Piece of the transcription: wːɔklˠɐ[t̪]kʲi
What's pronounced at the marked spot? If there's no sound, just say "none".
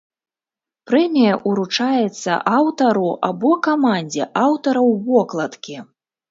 t̪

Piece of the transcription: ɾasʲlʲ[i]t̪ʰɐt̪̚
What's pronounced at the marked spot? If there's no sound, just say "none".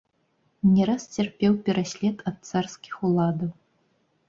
ɛ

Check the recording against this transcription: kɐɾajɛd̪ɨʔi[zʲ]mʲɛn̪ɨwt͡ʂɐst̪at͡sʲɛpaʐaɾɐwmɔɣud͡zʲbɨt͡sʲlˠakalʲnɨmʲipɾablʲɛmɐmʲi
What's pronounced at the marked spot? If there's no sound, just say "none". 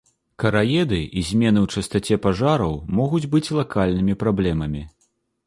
zʲ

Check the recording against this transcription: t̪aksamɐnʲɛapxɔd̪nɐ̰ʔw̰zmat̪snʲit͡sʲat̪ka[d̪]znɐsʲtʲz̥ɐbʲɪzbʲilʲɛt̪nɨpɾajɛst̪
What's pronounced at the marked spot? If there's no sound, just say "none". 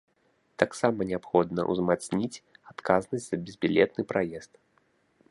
none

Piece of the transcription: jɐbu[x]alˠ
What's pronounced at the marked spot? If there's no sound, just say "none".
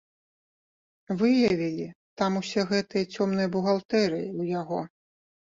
ɣ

